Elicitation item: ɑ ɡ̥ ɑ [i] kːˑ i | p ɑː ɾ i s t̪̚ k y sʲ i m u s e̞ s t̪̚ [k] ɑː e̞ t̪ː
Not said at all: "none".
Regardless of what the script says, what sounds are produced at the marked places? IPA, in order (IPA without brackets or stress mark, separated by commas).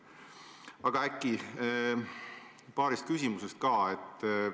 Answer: æ, k